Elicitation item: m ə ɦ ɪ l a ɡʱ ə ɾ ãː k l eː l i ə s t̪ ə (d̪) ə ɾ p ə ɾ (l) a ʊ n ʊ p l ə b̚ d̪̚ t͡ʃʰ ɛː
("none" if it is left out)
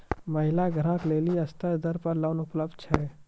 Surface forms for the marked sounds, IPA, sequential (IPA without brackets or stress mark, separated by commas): d̪, l